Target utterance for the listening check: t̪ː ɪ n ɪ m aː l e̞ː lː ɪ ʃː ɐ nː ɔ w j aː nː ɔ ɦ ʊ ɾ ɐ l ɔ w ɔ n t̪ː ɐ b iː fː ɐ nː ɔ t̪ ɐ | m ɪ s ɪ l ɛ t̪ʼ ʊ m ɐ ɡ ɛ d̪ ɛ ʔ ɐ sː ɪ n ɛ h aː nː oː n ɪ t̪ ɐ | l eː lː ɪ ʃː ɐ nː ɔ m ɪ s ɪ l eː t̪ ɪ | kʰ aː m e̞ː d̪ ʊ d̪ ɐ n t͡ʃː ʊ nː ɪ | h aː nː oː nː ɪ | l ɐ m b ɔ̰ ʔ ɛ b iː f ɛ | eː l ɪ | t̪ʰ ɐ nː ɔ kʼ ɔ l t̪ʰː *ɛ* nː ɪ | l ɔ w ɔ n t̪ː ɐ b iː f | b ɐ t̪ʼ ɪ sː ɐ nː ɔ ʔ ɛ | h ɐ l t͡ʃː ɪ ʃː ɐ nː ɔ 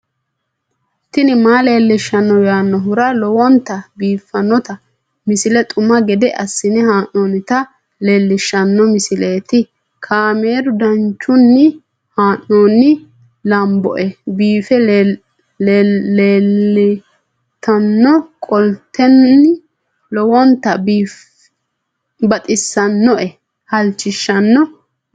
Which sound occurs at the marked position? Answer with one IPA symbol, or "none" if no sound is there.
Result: ɛ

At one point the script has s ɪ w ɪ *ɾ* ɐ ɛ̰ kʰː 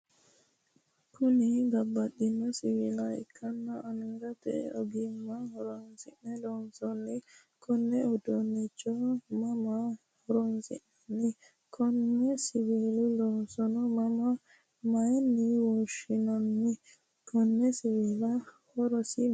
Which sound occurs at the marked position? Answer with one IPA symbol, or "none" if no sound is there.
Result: l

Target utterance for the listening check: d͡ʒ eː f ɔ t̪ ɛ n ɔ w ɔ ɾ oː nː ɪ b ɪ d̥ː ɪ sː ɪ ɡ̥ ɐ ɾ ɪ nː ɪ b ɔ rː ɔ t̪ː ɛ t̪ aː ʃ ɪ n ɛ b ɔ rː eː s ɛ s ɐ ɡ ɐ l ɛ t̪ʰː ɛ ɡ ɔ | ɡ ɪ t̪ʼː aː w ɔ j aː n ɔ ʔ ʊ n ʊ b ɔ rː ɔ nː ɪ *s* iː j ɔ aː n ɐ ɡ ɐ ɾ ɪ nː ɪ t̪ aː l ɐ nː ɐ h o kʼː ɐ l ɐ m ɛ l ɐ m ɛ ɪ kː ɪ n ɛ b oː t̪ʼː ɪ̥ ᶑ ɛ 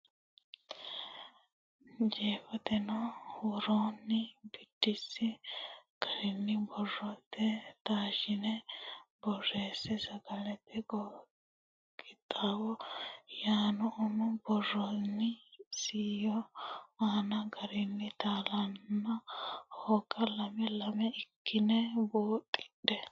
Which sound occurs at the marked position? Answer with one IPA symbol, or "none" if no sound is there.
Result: s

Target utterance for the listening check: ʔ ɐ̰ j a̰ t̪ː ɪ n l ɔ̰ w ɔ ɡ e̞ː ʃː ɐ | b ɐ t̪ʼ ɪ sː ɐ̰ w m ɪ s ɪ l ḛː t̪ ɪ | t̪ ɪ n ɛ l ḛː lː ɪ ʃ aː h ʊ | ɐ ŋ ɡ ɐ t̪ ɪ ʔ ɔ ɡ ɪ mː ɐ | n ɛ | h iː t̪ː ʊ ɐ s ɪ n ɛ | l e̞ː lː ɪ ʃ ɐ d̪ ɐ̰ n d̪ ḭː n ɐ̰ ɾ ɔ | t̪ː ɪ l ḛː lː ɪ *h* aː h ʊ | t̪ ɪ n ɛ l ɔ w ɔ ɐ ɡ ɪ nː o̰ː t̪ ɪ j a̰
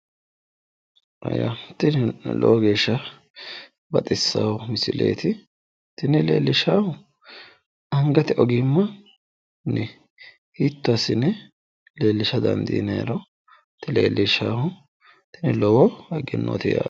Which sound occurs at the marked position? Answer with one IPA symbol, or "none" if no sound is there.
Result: ʃ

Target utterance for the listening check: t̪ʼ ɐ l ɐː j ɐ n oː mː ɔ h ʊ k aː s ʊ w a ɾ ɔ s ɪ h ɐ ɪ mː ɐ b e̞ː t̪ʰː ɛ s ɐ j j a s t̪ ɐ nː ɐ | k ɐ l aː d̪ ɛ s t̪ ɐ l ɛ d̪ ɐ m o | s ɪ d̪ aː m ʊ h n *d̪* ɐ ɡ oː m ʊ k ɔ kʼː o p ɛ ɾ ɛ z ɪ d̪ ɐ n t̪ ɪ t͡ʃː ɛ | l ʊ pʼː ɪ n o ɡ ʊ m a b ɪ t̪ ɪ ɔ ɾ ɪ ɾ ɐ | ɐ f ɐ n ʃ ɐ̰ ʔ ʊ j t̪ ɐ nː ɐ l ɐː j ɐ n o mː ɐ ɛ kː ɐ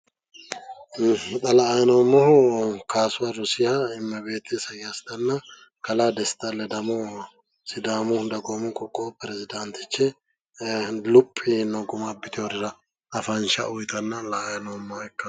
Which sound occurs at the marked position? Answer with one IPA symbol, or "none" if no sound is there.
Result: d̪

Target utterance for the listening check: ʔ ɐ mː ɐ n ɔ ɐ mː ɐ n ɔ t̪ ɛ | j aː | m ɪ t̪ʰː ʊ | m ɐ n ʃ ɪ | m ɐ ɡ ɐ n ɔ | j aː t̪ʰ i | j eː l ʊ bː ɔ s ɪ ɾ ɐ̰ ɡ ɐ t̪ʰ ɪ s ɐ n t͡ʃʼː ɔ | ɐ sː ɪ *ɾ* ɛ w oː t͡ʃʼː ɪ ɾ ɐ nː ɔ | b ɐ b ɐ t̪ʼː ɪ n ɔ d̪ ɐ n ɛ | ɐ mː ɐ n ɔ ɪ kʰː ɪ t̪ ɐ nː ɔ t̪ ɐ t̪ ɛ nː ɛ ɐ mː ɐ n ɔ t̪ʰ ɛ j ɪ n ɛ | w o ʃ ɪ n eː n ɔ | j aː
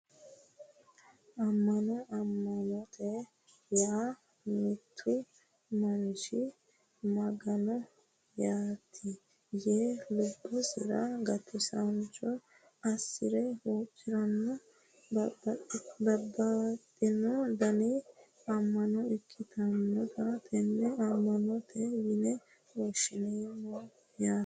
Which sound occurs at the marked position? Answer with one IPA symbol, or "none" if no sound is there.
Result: ɾ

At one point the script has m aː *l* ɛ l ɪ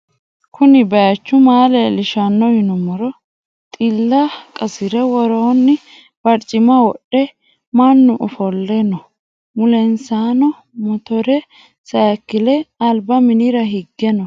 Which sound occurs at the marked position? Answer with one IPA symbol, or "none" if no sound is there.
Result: l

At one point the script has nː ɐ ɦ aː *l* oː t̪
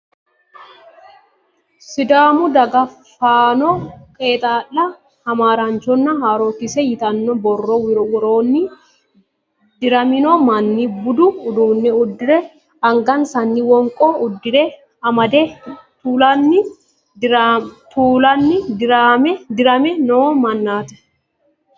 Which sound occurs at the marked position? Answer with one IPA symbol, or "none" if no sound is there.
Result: ɾ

